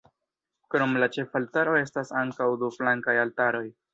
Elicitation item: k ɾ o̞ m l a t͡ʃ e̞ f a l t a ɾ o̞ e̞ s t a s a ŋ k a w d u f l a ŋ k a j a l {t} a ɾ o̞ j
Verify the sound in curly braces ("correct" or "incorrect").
correct